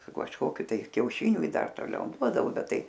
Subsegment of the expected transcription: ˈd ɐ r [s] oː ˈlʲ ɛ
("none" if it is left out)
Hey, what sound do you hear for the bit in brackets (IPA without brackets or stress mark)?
t